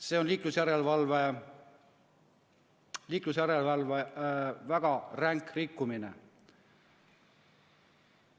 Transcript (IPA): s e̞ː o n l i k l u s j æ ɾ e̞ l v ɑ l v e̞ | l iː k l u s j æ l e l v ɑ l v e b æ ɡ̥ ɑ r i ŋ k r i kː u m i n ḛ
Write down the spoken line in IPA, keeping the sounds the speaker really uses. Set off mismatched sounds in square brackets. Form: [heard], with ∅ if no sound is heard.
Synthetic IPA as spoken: s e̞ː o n l [iː] k l u s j æ ɾ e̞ l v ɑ l v e̞ | l iː k l u s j æ [ɾ] e l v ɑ l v e [v] æ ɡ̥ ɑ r [æ] ŋ k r i kː u m i n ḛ